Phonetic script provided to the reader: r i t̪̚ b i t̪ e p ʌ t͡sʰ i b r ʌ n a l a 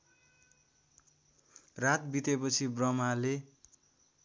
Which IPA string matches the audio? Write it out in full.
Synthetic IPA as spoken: r a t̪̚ b i t̪ e p ʌ t͡sʰ i b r ʌ m a l e